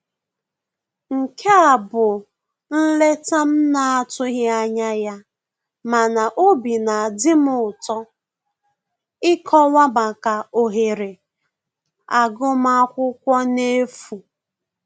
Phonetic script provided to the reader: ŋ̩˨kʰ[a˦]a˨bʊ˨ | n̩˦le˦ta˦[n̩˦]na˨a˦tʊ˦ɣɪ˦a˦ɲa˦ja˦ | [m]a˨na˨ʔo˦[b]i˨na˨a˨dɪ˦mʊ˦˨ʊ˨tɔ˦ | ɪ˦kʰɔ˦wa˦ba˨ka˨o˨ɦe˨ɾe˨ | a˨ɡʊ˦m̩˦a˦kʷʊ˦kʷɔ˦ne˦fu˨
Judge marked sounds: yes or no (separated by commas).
no, no, yes, yes